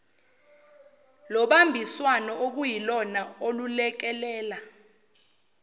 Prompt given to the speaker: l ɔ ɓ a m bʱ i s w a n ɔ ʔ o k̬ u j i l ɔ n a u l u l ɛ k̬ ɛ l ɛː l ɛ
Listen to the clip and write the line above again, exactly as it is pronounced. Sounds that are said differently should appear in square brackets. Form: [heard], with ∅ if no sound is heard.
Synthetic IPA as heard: l ɔ ɓ a m bʱ i s w a n ɔ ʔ o k̬ u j i l ɔ n a [o] l u l ɛ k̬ ɛ l ɛː l [a]